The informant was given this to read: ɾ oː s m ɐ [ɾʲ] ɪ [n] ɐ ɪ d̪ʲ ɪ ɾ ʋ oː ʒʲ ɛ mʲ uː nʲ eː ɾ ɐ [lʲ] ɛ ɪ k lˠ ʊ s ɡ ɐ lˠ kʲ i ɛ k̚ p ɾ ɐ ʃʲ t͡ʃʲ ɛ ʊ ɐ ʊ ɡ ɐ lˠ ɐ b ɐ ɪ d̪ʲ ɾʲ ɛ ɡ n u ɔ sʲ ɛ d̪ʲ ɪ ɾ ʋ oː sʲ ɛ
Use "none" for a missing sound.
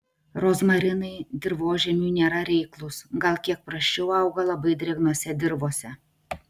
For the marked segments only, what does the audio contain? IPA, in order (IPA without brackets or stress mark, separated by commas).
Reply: ɾʲ, n, ɾʲ